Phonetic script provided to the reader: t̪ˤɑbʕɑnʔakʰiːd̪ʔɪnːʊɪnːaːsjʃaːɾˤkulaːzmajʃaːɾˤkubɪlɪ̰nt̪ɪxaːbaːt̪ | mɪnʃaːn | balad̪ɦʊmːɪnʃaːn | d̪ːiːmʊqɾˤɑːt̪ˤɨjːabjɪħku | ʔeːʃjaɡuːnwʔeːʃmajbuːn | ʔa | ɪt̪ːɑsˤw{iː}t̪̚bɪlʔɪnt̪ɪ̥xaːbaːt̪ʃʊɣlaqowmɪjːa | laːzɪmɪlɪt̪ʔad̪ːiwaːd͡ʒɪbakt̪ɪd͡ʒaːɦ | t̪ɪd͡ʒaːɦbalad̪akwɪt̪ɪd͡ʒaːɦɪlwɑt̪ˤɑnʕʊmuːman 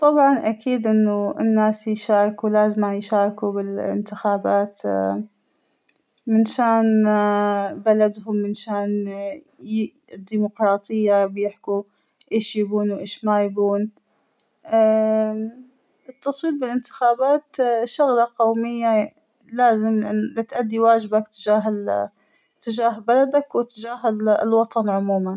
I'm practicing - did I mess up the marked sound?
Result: no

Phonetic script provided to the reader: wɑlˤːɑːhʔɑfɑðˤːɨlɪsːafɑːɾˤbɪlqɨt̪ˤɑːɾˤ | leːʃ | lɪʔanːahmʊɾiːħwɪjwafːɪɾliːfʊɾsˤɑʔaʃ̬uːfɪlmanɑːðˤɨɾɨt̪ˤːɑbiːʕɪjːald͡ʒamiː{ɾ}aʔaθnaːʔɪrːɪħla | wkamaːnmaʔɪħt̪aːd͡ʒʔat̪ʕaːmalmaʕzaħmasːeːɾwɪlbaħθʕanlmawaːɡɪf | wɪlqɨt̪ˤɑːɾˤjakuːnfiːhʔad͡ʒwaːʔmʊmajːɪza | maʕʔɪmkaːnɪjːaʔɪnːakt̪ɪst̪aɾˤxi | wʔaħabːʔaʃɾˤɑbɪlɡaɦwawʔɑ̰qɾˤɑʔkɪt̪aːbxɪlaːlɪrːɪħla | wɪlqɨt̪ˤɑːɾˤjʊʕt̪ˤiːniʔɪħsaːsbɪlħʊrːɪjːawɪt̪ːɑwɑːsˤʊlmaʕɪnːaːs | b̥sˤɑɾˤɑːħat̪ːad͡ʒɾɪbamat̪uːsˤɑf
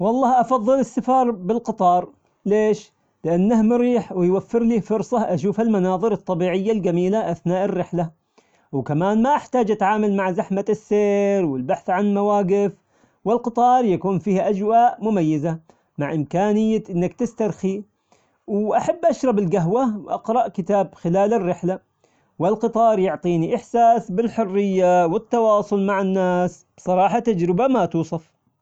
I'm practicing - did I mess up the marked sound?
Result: yes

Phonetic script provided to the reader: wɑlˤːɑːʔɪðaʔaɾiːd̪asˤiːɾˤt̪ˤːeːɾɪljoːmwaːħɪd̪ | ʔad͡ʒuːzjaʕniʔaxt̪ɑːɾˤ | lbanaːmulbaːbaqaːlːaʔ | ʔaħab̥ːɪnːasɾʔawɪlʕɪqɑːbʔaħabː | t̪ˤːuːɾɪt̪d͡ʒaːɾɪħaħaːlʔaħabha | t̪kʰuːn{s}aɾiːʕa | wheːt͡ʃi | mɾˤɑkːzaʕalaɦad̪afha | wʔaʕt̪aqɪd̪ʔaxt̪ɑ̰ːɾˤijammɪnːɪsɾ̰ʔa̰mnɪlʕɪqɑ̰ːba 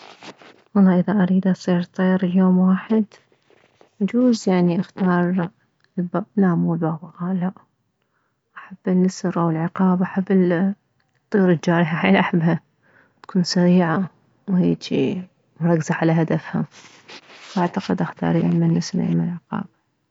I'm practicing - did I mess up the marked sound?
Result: no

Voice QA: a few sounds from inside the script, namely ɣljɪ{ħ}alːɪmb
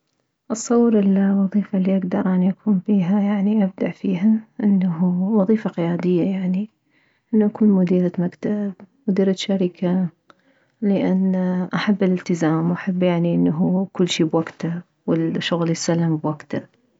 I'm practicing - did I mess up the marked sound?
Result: yes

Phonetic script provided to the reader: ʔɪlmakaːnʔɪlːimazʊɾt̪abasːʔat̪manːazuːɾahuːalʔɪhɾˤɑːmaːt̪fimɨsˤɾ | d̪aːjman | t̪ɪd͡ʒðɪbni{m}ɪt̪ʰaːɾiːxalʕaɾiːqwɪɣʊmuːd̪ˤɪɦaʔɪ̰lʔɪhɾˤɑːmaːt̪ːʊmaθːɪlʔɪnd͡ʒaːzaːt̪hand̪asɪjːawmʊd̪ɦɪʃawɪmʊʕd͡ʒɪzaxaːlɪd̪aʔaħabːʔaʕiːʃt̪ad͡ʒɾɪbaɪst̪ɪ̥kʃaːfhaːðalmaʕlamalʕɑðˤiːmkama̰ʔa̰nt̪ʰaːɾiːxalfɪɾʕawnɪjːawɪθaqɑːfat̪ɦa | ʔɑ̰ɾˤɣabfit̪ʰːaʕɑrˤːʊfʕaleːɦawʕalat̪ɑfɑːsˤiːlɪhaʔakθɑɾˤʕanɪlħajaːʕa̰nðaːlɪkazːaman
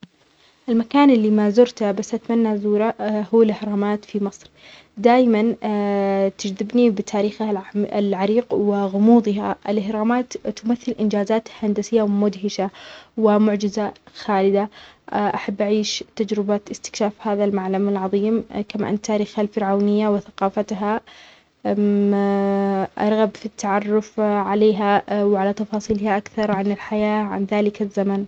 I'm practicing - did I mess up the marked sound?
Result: yes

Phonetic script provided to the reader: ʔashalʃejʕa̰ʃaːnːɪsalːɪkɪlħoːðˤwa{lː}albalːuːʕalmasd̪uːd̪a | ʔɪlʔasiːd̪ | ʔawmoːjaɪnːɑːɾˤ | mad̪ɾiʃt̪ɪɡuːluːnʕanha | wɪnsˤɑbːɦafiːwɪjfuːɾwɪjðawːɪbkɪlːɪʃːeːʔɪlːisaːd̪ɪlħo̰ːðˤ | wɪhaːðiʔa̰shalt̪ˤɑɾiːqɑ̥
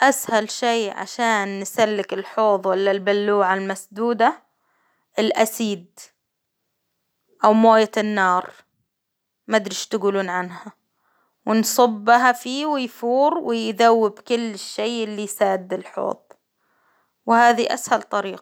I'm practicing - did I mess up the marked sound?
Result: no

